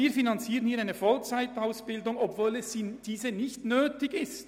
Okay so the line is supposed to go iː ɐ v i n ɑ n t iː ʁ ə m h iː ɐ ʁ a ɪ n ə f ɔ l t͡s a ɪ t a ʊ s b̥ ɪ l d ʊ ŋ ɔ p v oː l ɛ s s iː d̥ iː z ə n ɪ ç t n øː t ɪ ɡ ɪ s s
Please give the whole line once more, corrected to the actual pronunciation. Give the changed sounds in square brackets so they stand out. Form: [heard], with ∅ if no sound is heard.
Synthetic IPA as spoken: iː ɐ [f] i n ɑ n [t͡s] iː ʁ ə [n] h iː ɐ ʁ a ɪ n ə f ɔ l t͡s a ɪ t a ʊ s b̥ ɪ l d ʊ ŋ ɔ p v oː l ɛ s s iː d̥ iː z ə n ɪ ç t n øː t ɪ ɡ ɪ s [t]